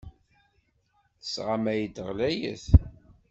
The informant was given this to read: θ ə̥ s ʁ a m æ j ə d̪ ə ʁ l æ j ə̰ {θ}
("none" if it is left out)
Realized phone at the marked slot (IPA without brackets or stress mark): θ